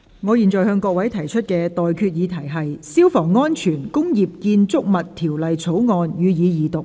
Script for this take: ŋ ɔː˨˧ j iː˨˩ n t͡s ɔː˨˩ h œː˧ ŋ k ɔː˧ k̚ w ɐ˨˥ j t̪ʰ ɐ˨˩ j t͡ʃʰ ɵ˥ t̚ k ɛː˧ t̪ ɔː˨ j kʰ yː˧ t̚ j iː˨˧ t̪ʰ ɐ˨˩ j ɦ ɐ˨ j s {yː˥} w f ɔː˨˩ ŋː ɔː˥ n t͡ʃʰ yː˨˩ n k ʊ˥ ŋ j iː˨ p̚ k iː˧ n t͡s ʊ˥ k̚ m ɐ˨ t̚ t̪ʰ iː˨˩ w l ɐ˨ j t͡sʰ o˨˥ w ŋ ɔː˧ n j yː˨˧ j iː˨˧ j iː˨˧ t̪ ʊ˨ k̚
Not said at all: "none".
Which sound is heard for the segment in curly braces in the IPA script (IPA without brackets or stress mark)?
iː˥